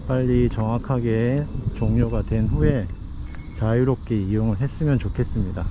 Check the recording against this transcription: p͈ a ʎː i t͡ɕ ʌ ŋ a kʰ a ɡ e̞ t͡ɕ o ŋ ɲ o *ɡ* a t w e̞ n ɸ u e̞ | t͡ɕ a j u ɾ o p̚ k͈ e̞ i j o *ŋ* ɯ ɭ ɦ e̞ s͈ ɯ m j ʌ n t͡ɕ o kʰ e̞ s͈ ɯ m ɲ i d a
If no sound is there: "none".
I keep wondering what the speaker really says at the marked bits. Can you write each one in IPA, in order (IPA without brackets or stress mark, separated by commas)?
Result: ɡ, ŋ